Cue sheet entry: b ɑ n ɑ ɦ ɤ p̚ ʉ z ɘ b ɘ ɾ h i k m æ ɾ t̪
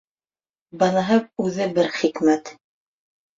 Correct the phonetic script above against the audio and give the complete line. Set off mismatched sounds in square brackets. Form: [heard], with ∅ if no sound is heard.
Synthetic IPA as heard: b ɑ n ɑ ɦ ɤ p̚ ʉ [ð] ɘ b ɘ ɾ [χ] i k m æ [∅] t̪